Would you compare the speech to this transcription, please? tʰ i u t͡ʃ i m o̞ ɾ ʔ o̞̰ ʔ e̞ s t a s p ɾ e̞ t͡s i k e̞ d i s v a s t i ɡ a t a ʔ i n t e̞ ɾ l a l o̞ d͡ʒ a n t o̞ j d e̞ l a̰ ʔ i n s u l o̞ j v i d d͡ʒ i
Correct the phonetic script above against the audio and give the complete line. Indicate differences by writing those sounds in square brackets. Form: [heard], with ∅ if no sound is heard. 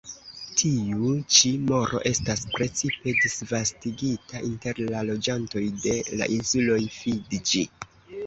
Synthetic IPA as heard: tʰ i u t͡ʃ i m o̞ ɾ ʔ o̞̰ ʔ e̞ s t a s p ɾ e̞ t͡s i [p] e̞ d i s v a s t i ɡ [i] t a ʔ i n t e̞ ɾ l a l o̞ d͡ʒ a n t o̞ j d e̞ l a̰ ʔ i n s u l o̞ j [f] i d d͡ʒ i